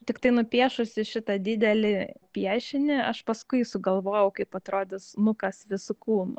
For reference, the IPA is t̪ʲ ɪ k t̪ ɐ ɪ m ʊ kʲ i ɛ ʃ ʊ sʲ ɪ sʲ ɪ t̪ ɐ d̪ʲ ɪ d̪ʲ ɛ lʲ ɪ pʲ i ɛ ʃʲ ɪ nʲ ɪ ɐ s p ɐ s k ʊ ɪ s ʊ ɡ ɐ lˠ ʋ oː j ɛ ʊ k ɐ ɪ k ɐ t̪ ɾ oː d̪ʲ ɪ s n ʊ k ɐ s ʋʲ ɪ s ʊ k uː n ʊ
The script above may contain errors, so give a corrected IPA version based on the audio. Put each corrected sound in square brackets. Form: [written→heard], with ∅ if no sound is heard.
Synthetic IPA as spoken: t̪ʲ ɪ k t̪ ɐ ɪ [m→n] ʊ [kʲ→pʲ] i ɛ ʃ ʊ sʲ ɪ [sʲ→ʃʲ] ɪ t̪ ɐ d̪ʲ ɪ d̪ʲ ɛ lʲ ɪ pʲ i ɛ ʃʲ ɪ nʲ ɪ ɐ [s→ʃ] p ɐ s k ʊ ɪ s ʊ ɡ ɐ lˠ ʋ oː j ɛ ʊ k ɐ ɪ [k→p] ɐ t̪ ɾ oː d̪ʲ ɪ s n ʊ k ɐ s ʋʲ ɪ s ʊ k uː n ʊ